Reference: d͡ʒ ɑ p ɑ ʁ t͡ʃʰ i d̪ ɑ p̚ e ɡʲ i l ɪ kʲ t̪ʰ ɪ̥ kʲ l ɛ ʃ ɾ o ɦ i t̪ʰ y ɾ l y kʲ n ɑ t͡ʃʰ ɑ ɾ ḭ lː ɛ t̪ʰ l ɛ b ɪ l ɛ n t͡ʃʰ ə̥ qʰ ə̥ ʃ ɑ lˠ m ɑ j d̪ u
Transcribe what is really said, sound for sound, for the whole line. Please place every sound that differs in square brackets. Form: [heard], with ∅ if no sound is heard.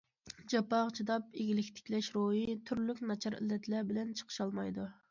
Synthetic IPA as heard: d͡ʒ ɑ p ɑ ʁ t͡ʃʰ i d̪ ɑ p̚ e ɡʲ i l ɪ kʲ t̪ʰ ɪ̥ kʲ l ɛ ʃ ɾ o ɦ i t̪ʰ y ɾ l y kʲ n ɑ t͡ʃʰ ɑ ɾ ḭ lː ɛ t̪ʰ l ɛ b ɪ l ɛ n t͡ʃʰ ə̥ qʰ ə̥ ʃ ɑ lˠ m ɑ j d̪ u